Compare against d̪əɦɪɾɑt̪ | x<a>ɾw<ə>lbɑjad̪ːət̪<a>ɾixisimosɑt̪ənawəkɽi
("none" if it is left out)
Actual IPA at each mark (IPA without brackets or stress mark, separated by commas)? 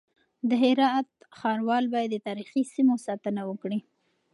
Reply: ɑ, ɑ, ɑ